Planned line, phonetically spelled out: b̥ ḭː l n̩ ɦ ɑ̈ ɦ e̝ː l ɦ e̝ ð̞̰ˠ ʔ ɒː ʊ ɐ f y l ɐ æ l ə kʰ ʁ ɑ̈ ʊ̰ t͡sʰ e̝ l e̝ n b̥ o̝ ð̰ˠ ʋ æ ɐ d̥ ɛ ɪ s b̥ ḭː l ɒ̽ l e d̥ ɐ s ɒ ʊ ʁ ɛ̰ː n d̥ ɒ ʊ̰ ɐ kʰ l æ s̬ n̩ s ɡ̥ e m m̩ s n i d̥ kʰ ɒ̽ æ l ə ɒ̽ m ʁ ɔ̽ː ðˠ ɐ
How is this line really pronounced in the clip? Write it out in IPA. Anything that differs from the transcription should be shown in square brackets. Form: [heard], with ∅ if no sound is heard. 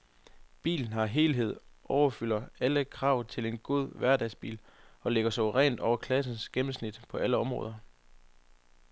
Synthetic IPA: b̥ ḭː l n̩ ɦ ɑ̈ ɦ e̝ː l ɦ e̝ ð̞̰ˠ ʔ [ɒ] ʊ ɐ f y l ɐ æ l ə kʰ ʁ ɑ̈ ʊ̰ t͡sʰ e̝ l e̝ n [ɡ̥] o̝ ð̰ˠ ʋ æ ɐ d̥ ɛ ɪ s b̥ ḭː l ɒ̽ l e [ɡ̥] ɐ s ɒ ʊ ʁ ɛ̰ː n d̥ ɒ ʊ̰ ɐ kʰ l æ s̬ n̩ s ɡ̥ e m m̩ s n i d̥ [pʰ] ɒ̽ æ l ə ɒ̽ m ʁ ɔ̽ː ðˠ ɐ

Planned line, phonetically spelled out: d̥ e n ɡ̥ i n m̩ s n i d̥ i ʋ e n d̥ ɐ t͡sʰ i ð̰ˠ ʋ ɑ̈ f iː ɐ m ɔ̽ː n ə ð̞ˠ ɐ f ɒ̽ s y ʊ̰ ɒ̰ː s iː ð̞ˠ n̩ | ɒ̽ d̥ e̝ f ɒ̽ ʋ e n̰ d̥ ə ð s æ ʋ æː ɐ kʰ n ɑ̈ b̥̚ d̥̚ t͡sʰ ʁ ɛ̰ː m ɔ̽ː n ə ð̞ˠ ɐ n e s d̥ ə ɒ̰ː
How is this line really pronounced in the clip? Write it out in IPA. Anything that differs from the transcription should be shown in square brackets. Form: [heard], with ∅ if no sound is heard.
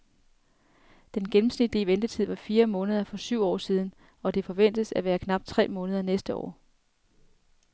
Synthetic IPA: d̥ e n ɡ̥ [e] n m̩ s n i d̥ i ʋ e n d̥ [ə] t͡sʰ i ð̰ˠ ʋ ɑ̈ f iː ɐ m ɔ̽ː n ə ð̞ˠ ɐ f ɒ̽ s y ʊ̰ ɒ̰ː s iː ð̞ˠ n̩ | ɒ̽ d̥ e̝ f ɒ̽ ʋ e n̰ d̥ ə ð s æ ʋ æː ɐ kʰ n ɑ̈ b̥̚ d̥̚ t͡sʰ ʁ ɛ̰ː m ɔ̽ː n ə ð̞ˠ ɐ n e s d̥ ə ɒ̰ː

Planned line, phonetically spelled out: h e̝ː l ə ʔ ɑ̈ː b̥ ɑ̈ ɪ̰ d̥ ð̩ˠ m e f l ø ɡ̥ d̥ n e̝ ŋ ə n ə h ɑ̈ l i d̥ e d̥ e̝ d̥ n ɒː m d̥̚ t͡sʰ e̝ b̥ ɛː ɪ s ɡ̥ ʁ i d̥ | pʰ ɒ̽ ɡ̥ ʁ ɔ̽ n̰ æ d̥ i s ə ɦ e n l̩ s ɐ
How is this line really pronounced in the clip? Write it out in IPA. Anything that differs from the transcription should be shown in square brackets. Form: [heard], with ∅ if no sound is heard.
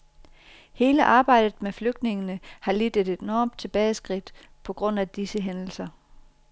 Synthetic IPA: h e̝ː l ə ʔ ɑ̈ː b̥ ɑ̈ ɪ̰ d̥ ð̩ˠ m e f l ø ɡ̥ d̥ n e̝ ŋ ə n ə h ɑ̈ l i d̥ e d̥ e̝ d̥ n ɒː m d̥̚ t͡sʰ e̝ b̥ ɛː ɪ s ɡ̥ ʁ i d̥ | pʰ ɒ̽ ɡ̥ ʁ ɔ̽ n̰ æ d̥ i s ə ɦ e n l̩ s ɐ

